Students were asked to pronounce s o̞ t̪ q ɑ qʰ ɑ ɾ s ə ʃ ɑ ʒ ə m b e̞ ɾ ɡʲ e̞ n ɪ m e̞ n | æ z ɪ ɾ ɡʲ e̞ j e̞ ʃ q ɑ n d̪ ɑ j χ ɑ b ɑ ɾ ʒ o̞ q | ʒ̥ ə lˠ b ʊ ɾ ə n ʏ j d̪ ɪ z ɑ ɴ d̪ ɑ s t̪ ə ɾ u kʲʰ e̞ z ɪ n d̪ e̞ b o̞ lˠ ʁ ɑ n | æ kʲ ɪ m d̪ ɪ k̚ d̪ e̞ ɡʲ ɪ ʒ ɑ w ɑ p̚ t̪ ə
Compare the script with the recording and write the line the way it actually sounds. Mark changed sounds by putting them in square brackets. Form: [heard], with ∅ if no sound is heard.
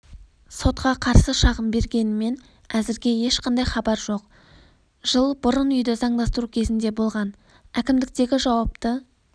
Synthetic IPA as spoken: s o̞ t̪ q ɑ qʰ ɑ ɾ s ə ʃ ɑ [ʁ] ə m b e̞ ɾ ɡʲ e̞ n ɪ m e̞ n | æ z ɪ ɾ ɡʲ e̞ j e̞ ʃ q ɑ n d̪ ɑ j χ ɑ b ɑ ɾ ʒ o̞ q | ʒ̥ ə lˠ b ʊ ɾ ə n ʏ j d̪ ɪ z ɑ ɴ d̪ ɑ s t̪ ə ɾ u kʲʰ e̞ z ɪ n d̪ e̞ b o̞ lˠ ʁ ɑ n | æ kʲ ɪ m d̪ ɪ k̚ [t̪] e̞ ɡʲ ɪ ʒ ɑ w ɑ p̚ t̪ ə

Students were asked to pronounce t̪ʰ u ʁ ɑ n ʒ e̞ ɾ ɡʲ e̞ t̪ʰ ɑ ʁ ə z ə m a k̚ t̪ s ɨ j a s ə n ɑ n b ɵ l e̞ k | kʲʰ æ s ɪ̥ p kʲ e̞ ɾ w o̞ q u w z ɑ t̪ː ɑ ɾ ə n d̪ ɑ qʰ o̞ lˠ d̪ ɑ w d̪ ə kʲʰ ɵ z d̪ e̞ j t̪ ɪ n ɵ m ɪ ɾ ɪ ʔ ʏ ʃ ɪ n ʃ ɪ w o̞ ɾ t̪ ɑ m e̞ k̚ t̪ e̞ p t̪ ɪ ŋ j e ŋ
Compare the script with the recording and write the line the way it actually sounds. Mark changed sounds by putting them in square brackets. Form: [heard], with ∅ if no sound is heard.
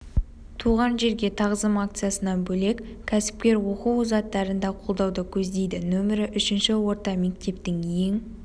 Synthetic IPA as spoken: t̪ʰ u ʁ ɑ n ʒ e̞ ɾ ɡʲ e̞ t̪ʰ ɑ ʁ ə z ə m a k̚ t̪ s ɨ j a s ə n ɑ n b ɵ l e̞ k | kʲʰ æ s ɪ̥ p kʲ e̞ ɾ w o̞ q u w z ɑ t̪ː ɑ ɾ ə n d̪ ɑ qʰ o̞ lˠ d̪ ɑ w d̪ ə kʲʰ ɵ z d̪ e̞ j [d̪] ɪ n ɵ m ɪ ɾ ɪ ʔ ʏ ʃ ɪ n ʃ ɪ w o̞ ɾ t̪ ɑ m e̞ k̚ t̪ e̞ p t̪ ɪ ŋ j e ŋ

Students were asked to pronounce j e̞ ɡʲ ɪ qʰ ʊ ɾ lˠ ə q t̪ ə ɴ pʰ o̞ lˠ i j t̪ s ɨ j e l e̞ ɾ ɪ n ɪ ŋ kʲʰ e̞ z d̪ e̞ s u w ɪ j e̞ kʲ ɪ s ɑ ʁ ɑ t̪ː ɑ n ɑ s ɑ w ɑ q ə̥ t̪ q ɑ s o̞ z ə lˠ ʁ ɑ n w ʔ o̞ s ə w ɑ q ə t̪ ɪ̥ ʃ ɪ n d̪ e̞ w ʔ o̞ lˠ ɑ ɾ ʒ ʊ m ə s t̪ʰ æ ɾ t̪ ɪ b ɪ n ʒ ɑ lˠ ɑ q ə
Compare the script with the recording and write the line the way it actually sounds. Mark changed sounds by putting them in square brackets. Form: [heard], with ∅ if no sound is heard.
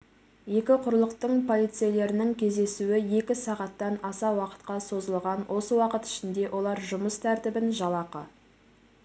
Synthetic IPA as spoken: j e̞ [kʲ] ɪ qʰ ʊ ɾ lˠ ə q t̪ ə ɴ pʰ o̞ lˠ i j t̪ s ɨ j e l e̞ ɾ ɪ n ɪ ŋ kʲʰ e̞ z d̪ e̞ s u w ɪ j e̞ kʲ ɪ s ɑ ʁ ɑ t̪ː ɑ n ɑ s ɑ w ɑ q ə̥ t̪ q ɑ s o̞ z ə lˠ ʁ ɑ n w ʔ o̞ s ə w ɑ q ə t̪ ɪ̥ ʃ ɪ n d̪ e̞ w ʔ o̞ lˠ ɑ ɾ ʒ ʊ m ə s t̪ʰ æ ɾ t̪ ɪ b ɪ n ʒ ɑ lˠ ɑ q ə

